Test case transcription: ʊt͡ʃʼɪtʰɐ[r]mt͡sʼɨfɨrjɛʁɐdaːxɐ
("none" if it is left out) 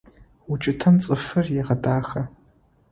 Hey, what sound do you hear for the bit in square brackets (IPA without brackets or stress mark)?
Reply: none